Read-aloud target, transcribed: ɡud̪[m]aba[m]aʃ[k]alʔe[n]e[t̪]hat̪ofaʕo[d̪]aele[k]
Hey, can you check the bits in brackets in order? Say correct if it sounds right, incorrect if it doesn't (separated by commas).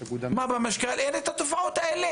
correct, correct, correct, correct, correct, incorrect, incorrect